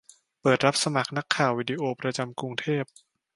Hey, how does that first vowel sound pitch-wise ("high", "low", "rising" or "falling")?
low